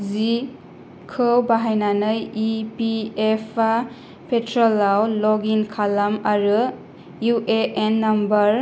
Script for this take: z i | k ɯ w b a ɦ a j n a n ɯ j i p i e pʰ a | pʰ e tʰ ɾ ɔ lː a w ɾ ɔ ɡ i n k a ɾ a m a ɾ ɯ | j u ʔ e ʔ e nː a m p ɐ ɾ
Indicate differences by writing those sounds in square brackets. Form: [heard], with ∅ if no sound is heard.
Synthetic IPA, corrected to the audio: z i | [kʰ] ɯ w b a ɦ a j n a n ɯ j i p i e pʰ a | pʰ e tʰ ɾ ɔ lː a w [l] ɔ ɡ i n [kʰ] a [l] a m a ɾ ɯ | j u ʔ e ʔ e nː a m [b] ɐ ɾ